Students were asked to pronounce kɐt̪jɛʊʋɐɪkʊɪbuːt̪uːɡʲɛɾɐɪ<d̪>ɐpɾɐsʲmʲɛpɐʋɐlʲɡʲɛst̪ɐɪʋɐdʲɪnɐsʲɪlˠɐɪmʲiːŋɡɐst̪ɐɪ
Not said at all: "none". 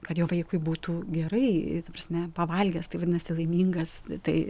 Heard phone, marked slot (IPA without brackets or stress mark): t̪